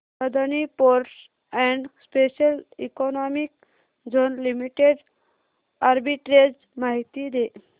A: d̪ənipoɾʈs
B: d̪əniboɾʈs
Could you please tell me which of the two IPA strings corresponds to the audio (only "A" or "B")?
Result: A